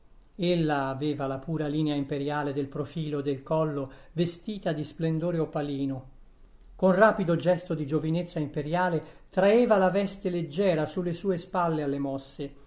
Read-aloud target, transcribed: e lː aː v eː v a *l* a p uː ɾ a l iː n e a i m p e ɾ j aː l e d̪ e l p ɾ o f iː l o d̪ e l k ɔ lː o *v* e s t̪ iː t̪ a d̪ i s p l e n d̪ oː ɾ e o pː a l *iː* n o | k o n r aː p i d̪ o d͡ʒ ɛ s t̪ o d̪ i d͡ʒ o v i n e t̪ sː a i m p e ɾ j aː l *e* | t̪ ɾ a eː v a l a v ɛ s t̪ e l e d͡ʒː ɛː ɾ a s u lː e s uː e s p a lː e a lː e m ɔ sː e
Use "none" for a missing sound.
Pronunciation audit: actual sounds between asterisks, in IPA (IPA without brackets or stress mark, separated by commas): l, v, iː, e